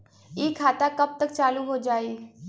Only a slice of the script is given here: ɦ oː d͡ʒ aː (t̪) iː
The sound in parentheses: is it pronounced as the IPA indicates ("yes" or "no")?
no